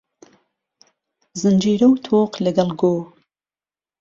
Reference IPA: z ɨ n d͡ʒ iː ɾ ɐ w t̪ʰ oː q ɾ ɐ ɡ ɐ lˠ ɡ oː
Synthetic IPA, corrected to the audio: z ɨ n d͡ʒ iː ɾ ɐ w t̪ʰ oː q l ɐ ɡ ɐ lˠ ɡ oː